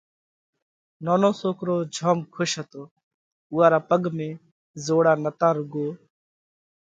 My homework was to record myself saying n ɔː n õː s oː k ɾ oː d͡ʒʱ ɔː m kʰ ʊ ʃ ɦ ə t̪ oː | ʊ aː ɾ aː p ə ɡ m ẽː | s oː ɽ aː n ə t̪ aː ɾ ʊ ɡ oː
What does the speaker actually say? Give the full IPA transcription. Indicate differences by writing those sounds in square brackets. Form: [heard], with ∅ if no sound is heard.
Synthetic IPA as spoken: n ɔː n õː s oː k ɾ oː d͡ʒʱ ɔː m kʰ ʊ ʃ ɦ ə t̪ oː | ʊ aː ɾ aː p ə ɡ m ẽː | [z] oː ɽ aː n ə t̪ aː ɾ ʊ ɡ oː